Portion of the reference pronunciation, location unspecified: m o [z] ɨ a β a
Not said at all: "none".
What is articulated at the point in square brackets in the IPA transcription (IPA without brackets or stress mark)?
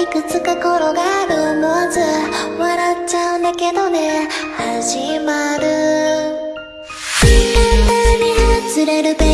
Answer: z